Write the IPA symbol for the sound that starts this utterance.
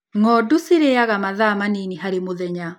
ŋ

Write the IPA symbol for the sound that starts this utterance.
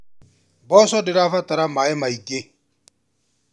b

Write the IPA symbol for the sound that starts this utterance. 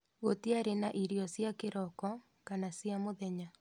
ɣ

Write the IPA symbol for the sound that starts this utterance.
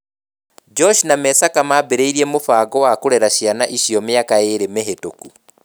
d͡ʒ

